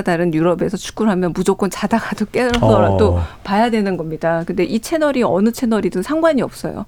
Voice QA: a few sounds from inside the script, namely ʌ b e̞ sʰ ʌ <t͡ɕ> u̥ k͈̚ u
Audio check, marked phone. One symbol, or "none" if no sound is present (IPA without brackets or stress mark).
t͡ɕʰ